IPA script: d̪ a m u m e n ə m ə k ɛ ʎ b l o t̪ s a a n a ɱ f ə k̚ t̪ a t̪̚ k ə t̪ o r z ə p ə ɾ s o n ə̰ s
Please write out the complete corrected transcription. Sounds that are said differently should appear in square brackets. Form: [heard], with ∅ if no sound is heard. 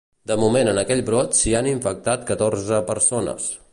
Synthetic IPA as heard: d̪ [ə] m u m e n ə [n] ə k ɛ ʎ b [ɾ] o t̪ s [i] a n [i] ɱ f ə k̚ t̪ a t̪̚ k ə t̪ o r z ə p ə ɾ s o n ə̰ s

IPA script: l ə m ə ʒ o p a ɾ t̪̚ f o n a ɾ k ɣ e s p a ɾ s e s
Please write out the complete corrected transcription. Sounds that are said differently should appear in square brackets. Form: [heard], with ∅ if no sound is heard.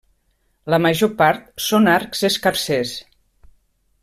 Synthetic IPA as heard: l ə m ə ʒ o p a ɾ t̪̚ [s] o n a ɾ k [z] e s [k] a ɾ s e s

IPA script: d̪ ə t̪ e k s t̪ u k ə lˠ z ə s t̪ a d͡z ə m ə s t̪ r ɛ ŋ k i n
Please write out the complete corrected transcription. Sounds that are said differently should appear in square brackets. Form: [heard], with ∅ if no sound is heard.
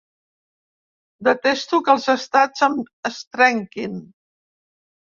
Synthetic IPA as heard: d̪ ə t̪ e [∅] s t̪ u k ə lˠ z ə s t̪ a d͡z ə m ə s t̪ [ɾ] ɛ ŋ k i n

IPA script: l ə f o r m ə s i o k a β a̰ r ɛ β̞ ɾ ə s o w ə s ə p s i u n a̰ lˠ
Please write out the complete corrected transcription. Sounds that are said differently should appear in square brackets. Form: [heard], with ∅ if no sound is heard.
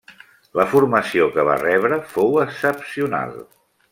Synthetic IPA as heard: l ə f [u] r m ə s i o k [ə] β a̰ r ɛ β̞ ɾ ə [f] o w ə s ə p s i u n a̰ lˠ

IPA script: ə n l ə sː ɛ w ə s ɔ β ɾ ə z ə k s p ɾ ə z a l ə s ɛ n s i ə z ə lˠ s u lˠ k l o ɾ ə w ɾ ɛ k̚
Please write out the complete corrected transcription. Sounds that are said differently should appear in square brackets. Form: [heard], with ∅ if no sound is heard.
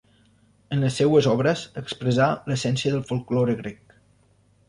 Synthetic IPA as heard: ə n l ə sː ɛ w ə [z] ɔ β ɾ ə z ə k s p ɾ ə z a l ə s ɛ n s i ə [ð] ə lˠ [f] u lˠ k l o ɾ ə [ɣ] ɾ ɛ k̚

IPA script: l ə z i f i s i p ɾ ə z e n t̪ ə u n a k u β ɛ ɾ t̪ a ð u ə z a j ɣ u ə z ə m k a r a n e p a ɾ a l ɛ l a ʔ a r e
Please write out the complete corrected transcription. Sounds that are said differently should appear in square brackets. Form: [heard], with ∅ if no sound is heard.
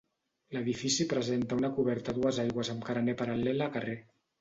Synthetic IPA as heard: l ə [ð] i f i s i p ɾ ə z e n t̪ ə u n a k u β ɛ ɾ t̪ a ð u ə z a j ɣ [w] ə z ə m k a [ɾ] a n e p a ɾ a l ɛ l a [k] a r e

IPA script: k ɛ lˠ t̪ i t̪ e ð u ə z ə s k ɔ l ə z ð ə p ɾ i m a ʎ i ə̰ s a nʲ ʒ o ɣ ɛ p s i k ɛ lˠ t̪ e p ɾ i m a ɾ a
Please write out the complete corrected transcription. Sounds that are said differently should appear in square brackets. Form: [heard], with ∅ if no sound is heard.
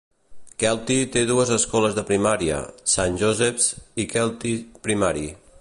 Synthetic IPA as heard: k ɛ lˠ t̪ i t̪ e ð u ə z ə s k ɔ l ə z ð ə p ɾ i m a [ɾ] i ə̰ s a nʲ ʒ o [z] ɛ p s i k ɛ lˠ t̪ [i] p ɾ i m a ɾ [i]

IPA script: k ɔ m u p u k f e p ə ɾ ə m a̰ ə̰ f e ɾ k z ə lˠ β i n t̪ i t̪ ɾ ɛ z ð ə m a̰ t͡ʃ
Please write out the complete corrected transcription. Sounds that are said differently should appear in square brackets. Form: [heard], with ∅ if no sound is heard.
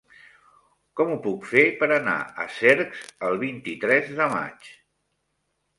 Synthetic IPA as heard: k ɔ m u p u k f e p ə ɾ ə [n] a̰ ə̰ [s] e ɾ k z ə lˠ β i n t̪ i t̪ ɾ ɛ z ð ə m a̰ t͡ʃ

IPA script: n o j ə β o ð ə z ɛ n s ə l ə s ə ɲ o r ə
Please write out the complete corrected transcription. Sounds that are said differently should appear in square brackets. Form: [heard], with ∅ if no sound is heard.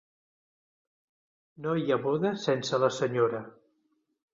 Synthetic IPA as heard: n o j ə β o ð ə [s] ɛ n s ə l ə s ə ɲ o [ɾ] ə

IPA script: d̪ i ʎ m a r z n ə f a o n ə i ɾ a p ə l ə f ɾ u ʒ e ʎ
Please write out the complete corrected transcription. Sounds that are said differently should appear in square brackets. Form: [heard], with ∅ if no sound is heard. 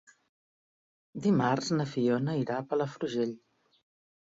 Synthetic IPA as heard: d̪ i [∅] m a r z n ə f [i] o n ə i ɾ a p ə l ə f ɾ u ʒ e ʎ

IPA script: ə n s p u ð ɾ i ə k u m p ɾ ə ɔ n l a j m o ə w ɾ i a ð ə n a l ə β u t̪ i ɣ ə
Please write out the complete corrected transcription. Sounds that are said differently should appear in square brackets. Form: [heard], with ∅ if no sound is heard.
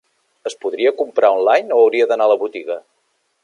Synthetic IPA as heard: ə [∅] s p u ð ɾ i ə k u m p ɾ [a] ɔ n l a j [n] o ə w ɾ i [ə] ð ə n a l ə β u t̪ i ɣ ə

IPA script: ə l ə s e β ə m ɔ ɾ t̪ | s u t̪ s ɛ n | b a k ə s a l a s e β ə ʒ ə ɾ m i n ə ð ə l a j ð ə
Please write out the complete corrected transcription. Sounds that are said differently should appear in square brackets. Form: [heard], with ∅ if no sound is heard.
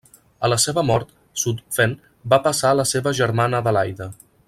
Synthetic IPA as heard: ə l ə s e β ə m ɔ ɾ t̪ | s u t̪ [f] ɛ n | b a [p] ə s a l [ə] s e β ə ʒ ə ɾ m [a] n ə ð ə l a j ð ə

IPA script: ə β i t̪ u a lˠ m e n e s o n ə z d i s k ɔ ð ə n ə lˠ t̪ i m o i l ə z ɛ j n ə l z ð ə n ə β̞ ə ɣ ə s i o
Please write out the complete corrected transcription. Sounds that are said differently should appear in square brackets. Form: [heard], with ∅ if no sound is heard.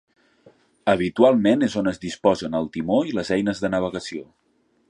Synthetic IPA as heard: ə β i t̪ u a lˠ m e n e [z] o n ə z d i s [p] ɔ [z] ə n ə lˠ t̪ i m o i l ə z ɛ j n ə [∅] z ð ə n ə β̞ ə ɣ ə s i o

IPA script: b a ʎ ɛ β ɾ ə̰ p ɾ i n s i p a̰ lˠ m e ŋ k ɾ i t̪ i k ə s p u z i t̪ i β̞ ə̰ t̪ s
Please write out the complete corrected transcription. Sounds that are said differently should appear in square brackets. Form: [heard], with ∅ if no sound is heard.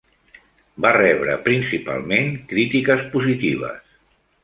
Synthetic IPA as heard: b a [r] ɛ β ɾ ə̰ p ɾ i n s i p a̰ lˠ m e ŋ k ɾ i t̪ i k ə s p u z i t̪ i β̞ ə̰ [∅] s

